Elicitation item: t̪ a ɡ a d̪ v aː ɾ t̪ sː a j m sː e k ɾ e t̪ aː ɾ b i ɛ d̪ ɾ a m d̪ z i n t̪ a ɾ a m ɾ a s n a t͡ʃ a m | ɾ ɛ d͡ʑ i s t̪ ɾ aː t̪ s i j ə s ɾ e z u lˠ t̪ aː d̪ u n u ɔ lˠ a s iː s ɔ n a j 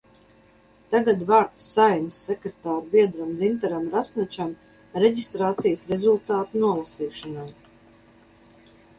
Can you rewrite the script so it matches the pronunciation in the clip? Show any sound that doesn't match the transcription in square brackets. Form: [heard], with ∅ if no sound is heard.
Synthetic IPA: t̪ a ɡ a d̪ v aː ɾ t̪ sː a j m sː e k ɾ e t̪ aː ɾ b i ɛ d̪ ɾ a m d̪ z i n t̪ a ɾ a m ɾ a s n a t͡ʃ a m | ɾ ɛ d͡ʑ i s t̪ ɾ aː t̪ s i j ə s ɾ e z u lˠ t̪ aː [t̪] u n u ɔ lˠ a s iː [ʃ] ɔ n a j